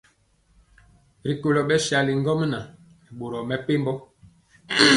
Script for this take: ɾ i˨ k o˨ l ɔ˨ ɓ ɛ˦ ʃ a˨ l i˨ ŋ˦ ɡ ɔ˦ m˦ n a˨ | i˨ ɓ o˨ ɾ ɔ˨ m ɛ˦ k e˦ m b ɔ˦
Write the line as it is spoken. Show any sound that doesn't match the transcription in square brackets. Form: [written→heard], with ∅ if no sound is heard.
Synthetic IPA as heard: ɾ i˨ k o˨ l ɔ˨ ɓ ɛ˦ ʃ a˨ l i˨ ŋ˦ ɡ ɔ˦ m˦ n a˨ | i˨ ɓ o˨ ɾ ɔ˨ m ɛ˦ [k→p] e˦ m b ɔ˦